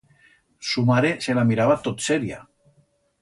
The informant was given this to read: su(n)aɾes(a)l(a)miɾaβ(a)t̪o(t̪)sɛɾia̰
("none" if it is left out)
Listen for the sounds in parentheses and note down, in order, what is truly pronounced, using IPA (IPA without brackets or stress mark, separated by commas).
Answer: m, e, a, a, t̪